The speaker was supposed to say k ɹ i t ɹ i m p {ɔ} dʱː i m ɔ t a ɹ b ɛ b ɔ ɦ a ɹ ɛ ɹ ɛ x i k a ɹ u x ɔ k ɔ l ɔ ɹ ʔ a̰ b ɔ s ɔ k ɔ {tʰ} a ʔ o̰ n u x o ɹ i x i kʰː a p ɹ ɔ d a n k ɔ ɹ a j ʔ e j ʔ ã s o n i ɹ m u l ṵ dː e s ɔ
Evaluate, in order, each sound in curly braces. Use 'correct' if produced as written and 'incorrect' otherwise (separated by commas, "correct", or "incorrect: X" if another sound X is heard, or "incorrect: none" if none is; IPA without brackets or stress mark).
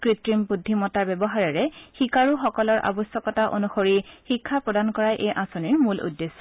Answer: incorrect: u, incorrect: t